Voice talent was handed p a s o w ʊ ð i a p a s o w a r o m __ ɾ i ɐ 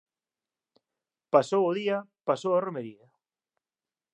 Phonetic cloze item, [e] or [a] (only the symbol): e